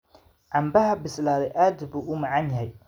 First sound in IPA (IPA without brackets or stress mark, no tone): ʕ